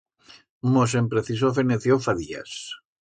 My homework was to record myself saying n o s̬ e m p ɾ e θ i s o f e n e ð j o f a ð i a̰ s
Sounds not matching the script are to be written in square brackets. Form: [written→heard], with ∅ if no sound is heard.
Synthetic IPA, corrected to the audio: [n→m] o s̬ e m p ɾ e θ i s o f e n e [ð→θ] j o f a ð i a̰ s